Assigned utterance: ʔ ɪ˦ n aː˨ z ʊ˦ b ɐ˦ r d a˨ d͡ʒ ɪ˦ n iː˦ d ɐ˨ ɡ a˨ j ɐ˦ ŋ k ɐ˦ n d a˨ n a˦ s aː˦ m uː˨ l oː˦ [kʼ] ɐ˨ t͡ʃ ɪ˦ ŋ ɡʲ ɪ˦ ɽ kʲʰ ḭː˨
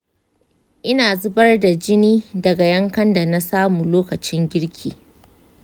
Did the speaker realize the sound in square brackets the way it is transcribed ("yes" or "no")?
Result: no